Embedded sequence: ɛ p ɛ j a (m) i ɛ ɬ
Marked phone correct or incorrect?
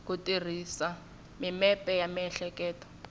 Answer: correct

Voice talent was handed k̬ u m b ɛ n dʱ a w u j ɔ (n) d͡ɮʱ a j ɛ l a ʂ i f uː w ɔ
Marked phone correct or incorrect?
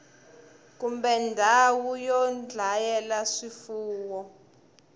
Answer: correct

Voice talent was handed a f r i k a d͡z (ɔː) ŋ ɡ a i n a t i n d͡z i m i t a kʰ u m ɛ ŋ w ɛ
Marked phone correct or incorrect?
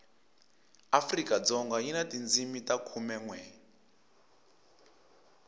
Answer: incorrect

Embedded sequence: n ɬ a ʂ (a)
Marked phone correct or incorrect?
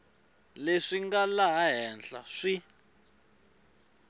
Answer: incorrect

